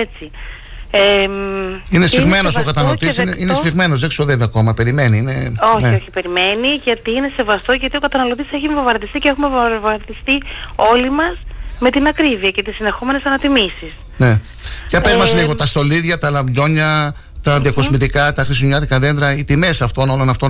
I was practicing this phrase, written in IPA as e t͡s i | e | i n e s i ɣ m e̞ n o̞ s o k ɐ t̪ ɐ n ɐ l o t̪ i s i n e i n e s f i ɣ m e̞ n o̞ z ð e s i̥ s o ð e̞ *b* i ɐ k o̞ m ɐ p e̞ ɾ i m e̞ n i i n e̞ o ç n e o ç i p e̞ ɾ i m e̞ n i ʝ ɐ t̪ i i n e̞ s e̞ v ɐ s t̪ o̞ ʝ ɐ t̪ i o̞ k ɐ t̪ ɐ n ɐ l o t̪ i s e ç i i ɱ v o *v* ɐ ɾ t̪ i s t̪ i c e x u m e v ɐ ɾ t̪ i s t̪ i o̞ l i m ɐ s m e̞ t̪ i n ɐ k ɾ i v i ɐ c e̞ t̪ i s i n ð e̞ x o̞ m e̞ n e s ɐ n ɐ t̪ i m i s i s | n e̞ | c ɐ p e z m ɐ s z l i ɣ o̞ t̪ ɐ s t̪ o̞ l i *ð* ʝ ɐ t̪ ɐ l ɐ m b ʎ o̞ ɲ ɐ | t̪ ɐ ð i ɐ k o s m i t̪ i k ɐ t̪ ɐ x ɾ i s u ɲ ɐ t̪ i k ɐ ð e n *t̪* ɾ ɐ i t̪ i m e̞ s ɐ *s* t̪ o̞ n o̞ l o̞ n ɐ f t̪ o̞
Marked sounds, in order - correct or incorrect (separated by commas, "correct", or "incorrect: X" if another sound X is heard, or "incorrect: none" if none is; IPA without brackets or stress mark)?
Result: incorrect: v, correct, correct, incorrect: d̪, incorrect: f